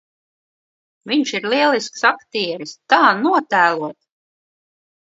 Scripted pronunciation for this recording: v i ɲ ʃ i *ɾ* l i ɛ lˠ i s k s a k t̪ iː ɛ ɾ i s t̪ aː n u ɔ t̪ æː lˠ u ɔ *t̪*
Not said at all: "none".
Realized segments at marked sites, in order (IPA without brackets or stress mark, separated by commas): ɾ, t̪